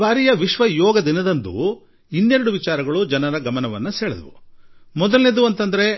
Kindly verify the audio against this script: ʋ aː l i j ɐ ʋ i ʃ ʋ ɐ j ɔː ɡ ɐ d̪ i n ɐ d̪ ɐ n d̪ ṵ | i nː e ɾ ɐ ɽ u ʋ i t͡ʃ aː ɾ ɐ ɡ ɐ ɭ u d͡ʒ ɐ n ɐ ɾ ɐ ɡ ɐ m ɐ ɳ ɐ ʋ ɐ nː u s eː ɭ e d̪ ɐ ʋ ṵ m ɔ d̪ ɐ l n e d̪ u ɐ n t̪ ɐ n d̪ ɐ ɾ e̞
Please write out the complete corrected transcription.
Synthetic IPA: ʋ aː ɾ i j ɐ ʋ i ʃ ʋ ɐ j ɔː ɡ ɐ d̪ i n ɐ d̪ ɐ n d̪ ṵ | i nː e ɾ ɐ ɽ u ʋ i t͡ʃ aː ɾ ɐ ɡ ɐ ɭ u d͡ʒ ɐ n ɐ ɾ ɐ ɡ ɐ m ɐ n ɐ ʋ ɐ nː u s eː ɭ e d̪ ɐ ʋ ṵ m ɔ d̪ ɐ l n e d̪ u ɐ n t̪ ɐ n d̪ ɐ ɾ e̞